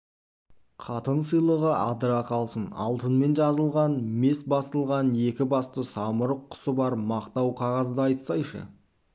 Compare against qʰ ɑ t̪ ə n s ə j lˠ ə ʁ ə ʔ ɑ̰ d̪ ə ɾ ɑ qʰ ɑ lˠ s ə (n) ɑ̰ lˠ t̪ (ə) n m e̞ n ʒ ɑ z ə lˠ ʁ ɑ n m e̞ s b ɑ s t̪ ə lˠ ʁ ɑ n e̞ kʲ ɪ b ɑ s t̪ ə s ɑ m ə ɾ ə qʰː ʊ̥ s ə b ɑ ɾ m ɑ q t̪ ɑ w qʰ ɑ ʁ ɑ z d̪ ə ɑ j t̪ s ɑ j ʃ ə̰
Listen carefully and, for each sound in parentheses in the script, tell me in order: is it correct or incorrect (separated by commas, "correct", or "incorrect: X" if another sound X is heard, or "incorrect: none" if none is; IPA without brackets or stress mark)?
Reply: correct, correct